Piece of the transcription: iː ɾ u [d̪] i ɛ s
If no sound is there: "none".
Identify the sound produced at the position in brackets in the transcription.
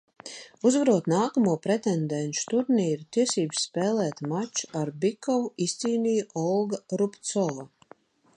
t̪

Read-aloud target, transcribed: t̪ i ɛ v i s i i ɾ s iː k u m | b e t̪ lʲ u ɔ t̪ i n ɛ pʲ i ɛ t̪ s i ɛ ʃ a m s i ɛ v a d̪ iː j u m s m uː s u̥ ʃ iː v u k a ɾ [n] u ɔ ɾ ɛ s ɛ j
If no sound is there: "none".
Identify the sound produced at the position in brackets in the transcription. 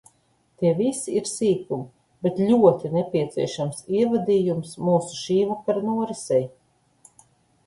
n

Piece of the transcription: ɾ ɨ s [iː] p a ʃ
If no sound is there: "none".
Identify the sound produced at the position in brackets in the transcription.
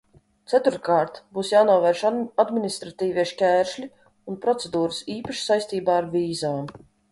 iː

